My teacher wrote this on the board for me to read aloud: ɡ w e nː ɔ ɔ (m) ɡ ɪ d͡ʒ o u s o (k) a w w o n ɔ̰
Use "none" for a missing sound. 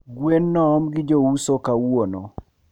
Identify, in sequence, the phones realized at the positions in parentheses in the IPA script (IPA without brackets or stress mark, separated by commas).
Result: m, k